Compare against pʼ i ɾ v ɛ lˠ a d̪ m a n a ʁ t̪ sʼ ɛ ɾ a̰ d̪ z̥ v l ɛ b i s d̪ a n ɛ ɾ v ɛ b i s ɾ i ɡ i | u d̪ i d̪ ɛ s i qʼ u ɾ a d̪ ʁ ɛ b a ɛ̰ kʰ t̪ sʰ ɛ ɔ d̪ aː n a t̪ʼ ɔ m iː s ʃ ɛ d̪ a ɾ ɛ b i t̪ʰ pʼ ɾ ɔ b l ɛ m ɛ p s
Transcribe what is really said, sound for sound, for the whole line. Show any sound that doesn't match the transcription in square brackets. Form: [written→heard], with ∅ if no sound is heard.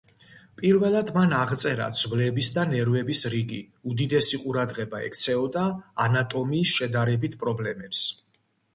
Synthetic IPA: pʼ i ɾ v ɛ lˠ a d̪ m a n a ʁ t̪ sʼ ɛ ɾ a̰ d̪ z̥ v l ɛ b i s d̪ a n ɛ ɾ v ɛ b i s ɾ i ɡ i | u d̪ i d̪ ɛ s i qʼ u ɾ a d̪ ʁ ɛ b a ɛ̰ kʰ t̪ sʰ ɛ ɔ d̪ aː n a t̪ʼ ɔ m iː s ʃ ɛ d̪ a ɾ ɛ b i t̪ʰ pʼ ɾ ɔ b l ɛ m ɛ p s